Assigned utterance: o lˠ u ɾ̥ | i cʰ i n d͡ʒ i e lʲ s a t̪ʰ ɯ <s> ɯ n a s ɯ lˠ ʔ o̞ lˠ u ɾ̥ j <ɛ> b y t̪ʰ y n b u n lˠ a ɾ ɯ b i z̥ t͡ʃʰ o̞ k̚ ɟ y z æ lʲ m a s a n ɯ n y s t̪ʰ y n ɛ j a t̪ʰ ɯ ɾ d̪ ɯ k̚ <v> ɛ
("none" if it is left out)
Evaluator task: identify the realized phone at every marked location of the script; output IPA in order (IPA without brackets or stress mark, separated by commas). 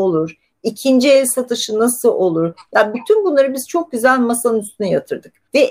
ʃ, a, v